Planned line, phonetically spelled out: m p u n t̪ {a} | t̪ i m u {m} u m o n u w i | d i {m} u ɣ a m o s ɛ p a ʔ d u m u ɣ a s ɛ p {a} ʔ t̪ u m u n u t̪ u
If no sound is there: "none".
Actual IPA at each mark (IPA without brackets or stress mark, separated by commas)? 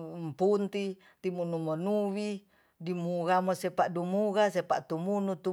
i, n, m, a